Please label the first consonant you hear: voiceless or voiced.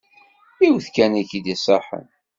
voiced